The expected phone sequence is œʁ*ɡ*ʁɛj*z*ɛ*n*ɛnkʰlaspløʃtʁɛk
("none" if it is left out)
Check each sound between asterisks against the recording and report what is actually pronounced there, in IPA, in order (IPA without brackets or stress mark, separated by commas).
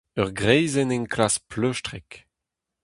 ɡ, z, n